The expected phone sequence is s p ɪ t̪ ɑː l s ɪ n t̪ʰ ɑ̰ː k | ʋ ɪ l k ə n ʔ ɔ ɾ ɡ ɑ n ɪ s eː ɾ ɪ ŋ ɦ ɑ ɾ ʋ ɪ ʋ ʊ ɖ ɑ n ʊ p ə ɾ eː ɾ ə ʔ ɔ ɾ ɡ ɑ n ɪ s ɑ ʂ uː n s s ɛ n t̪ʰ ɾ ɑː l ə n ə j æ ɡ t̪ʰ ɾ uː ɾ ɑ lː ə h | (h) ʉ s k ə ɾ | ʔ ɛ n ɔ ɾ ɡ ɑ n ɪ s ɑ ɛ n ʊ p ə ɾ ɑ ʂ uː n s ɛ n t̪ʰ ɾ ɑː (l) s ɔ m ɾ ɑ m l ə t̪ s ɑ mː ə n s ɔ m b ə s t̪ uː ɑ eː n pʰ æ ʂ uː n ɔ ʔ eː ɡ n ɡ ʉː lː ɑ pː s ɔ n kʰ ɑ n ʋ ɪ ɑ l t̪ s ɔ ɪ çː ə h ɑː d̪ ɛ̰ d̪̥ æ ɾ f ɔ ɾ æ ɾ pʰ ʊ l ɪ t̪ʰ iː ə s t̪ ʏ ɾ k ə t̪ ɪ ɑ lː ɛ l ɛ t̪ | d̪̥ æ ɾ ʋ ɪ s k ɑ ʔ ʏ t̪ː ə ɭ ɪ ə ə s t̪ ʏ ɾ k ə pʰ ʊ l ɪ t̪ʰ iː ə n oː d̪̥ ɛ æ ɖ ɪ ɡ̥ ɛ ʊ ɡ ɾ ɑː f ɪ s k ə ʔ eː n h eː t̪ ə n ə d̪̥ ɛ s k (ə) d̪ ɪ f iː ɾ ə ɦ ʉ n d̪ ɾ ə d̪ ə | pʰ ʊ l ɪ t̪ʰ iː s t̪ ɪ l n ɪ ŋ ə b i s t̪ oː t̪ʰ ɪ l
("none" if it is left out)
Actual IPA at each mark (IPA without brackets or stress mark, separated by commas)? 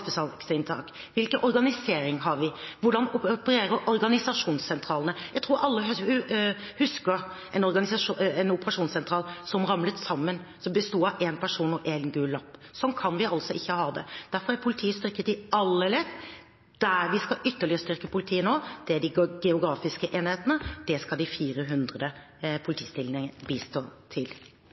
h, l, ɑ